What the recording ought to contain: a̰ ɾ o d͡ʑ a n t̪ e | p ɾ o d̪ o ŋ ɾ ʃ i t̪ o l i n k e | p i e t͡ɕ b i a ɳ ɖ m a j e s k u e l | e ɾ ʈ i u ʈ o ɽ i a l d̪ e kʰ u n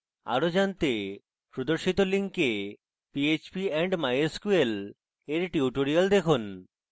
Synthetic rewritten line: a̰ ɾ o d͡ʑ a n t̪ e | p ɾ o d̪ o ɾ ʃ i t̪ o l i ŋ k e | p i e t͡ɕ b i ɛ ɳ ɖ m a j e s k u e l | e ɾ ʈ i u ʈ o ɾ i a l d̪ e kʰ u n

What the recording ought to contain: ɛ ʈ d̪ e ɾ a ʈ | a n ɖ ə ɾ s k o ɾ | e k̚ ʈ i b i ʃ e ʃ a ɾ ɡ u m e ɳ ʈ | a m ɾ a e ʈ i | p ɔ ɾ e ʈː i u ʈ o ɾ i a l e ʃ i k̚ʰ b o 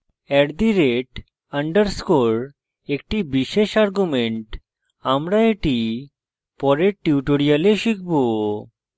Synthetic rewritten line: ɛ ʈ d̪ i ɾ e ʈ | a ɳ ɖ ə ɾ s k o ɾ | e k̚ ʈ i b i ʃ e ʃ a ɾ ɡ u m e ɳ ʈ | a m ɾ a e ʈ i | p ɔ ɾ e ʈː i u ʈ o ɾ i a l e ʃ i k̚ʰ b o

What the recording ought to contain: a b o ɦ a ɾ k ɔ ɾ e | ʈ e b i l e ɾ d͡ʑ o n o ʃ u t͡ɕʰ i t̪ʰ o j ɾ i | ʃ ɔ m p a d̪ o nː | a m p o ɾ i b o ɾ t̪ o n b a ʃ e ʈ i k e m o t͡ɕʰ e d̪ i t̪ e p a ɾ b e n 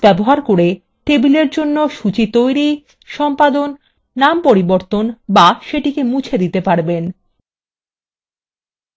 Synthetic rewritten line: ɛ b o ɦ a ɾ k o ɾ e | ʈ e b i l e ɾ d͡ʑ o nː o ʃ u t͡ɕ i t̪ o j ɾ i | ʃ ɔ m p a d̪ o nː | a m p o ɾ i b o ɾ t̪ o n b a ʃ e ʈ i k e m u t͡ɕʰ e d̪ i t̪ e p a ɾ b e n

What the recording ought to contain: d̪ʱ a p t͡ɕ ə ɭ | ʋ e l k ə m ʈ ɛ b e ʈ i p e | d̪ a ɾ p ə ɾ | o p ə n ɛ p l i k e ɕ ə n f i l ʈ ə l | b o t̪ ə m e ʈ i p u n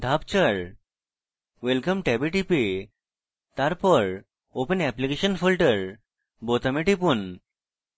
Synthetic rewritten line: d̪ʱ a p t͡ɕ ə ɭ | ʋ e l k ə m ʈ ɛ b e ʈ i p e | t̪ a ɾ p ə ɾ | o p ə n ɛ p l i k e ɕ ə n f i l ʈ ə ɾ | b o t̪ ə m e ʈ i p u n

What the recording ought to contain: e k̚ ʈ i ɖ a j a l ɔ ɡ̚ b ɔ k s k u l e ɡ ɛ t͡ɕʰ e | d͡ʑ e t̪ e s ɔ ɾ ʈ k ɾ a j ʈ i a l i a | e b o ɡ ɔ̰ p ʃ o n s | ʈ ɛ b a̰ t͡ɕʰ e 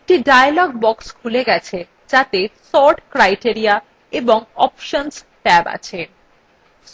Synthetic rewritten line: e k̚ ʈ i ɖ a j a l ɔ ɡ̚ b ɔ k s kʰ u l e ɡ ɛ t͡ɕʰ e | d͡ʑ a t̪ e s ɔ ɾ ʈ k ɾ a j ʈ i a ɾ i a | e b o ŋ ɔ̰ p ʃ o n s | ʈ ɛ b a̰ t͡ɕʰ e

